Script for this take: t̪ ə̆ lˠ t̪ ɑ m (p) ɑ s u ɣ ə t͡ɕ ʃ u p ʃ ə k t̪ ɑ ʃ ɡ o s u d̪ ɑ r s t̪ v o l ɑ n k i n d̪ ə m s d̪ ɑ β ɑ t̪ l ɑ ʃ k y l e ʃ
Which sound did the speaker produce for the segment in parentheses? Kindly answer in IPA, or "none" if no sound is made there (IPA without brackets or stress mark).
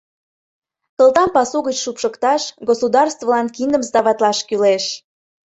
p